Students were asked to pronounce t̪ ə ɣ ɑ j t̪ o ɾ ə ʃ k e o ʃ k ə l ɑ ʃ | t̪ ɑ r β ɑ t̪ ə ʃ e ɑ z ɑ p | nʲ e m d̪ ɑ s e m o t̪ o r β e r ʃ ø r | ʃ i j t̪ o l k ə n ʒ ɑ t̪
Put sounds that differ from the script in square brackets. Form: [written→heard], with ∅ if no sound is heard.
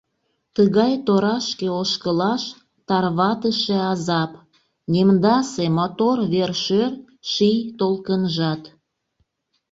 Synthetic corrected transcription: t̪ ə ɣ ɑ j t̪ o ɾ [ə→ɑ] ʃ k e o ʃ k ə l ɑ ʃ | t̪ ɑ r β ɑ t̪ ə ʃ e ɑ z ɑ p | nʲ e m d̪ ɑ s e m o t̪ o r β e r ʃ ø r | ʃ i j t̪ o l k ə n ʒ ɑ t̪